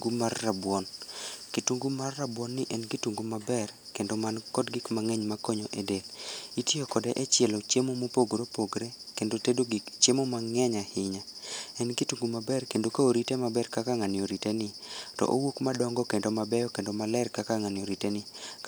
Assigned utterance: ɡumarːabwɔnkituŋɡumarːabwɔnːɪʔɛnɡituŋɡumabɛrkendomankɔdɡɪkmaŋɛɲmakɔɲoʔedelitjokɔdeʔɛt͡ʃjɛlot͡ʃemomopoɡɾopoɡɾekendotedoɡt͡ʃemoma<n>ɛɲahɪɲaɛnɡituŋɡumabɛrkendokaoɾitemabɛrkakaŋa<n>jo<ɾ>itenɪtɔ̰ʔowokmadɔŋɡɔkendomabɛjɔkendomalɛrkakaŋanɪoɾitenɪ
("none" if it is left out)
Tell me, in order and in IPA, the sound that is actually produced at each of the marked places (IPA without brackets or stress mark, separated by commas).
ŋ, n, ɾ